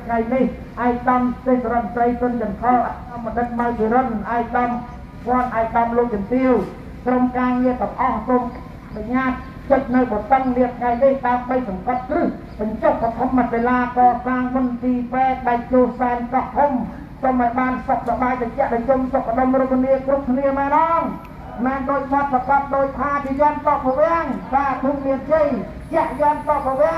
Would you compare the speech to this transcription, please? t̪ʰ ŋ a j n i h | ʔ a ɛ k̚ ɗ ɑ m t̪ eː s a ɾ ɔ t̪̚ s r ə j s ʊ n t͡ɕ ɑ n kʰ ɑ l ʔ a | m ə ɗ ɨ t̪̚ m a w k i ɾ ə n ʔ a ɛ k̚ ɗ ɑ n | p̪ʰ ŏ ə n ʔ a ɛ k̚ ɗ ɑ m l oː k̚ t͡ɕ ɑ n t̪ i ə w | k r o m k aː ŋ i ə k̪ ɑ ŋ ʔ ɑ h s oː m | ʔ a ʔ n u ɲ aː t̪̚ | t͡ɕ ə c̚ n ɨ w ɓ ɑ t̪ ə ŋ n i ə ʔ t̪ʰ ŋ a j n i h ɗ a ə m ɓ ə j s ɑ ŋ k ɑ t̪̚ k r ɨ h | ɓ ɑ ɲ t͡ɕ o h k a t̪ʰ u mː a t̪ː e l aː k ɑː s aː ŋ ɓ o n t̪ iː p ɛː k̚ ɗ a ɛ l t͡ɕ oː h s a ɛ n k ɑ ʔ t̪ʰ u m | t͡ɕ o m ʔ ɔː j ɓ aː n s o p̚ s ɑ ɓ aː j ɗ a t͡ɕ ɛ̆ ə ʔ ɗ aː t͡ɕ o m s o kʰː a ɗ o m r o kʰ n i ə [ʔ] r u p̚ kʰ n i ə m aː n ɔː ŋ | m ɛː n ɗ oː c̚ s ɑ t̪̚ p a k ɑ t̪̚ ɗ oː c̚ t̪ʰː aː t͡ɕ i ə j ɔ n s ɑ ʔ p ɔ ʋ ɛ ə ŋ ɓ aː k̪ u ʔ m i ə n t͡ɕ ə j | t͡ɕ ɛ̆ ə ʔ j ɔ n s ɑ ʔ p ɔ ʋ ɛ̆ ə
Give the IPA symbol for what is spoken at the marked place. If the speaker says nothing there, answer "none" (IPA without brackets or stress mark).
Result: k